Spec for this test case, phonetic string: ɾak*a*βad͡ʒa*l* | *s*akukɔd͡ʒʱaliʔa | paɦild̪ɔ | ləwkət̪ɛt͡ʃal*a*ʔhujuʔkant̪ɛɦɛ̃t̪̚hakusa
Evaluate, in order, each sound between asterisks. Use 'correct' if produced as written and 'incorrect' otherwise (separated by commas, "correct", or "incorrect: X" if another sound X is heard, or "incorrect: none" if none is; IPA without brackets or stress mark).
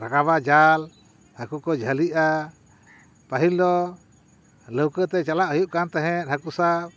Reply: correct, correct, incorrect: h, correct